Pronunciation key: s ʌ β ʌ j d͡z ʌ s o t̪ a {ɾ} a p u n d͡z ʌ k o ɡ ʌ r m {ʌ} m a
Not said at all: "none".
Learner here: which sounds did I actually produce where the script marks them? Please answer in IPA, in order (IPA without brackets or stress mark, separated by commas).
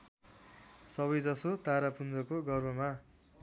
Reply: ɾ, ʌ